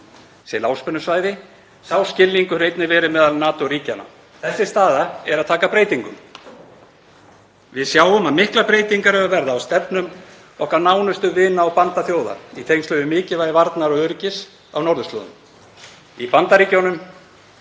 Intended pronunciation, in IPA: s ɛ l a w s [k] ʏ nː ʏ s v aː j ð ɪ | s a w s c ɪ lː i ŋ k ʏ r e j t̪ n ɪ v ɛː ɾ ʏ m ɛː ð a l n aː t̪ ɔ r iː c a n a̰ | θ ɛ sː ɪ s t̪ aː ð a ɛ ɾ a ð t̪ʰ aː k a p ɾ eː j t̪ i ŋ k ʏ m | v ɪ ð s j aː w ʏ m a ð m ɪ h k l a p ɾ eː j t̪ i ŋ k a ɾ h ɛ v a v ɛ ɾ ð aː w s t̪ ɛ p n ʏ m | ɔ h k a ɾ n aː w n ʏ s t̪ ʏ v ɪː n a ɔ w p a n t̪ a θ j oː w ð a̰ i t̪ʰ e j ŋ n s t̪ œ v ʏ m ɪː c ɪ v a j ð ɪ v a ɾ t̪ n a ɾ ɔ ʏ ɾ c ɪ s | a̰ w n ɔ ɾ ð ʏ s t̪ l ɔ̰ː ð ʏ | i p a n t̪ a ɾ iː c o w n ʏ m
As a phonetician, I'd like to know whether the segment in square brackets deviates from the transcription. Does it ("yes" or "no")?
yes